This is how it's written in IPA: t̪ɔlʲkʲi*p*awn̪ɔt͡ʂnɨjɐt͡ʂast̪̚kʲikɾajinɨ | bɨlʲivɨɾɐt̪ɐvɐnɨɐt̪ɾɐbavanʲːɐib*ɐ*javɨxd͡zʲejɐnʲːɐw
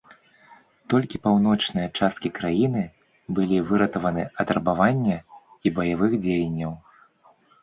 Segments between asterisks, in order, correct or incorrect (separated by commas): correct, correct